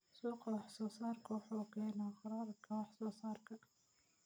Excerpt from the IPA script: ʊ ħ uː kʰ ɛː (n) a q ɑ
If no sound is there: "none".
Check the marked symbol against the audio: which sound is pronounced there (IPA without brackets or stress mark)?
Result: n